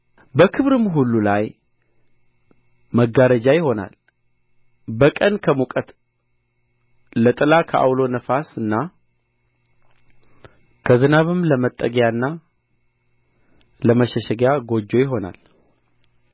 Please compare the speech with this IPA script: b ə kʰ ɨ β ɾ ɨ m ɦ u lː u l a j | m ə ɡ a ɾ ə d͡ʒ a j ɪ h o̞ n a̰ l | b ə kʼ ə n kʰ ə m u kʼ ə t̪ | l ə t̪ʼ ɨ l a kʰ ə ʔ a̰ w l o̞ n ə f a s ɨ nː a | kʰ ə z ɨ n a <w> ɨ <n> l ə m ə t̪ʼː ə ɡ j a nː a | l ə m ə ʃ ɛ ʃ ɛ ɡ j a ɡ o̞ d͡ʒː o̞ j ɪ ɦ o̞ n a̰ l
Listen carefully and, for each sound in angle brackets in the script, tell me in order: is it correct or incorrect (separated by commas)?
incorrect, incorrect